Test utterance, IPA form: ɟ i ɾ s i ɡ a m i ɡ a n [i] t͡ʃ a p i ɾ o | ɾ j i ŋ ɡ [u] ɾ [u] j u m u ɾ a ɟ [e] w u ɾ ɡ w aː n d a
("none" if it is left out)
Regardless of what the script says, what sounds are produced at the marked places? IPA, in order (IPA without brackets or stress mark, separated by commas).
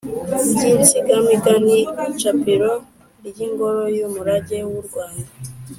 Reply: i, o, o, e